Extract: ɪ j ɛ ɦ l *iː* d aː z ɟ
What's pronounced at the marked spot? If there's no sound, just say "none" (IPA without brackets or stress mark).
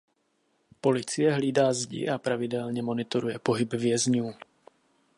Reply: iː